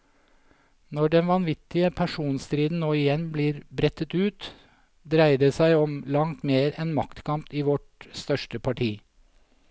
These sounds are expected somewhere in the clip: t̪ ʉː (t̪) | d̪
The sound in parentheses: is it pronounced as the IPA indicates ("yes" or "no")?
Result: yes